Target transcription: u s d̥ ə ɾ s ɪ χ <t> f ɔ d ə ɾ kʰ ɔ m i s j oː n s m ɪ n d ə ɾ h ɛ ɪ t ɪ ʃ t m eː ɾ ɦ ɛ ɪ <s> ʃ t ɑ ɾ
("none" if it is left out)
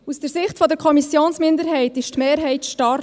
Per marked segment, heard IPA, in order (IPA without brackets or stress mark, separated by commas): t, t